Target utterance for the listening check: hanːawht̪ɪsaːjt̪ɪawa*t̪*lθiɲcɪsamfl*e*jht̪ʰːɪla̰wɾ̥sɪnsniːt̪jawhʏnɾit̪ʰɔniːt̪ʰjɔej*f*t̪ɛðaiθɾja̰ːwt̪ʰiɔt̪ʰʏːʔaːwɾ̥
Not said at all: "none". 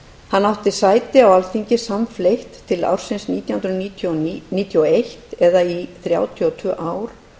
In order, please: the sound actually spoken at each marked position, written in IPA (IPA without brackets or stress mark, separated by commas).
none, e, h